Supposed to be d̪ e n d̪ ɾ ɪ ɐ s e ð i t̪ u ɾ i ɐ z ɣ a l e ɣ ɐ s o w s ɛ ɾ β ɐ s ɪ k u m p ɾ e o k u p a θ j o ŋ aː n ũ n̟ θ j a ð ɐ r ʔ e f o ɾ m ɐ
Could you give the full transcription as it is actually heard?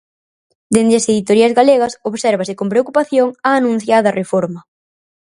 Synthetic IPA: d̪ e n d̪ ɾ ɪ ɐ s e ð i t̪ o ɾ i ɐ z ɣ a l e ɣ ɐ s o β s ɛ ɾ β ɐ s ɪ k o m p ɾ e o k u p a θ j o ŋ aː n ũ n̟ θ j a ð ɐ r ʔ e f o ɾ m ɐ